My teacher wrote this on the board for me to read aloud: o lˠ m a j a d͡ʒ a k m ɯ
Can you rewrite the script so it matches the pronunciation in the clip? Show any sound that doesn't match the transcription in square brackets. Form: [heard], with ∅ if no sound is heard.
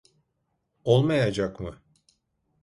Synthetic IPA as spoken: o lˠ m a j a d͡ʒ a k m ɯ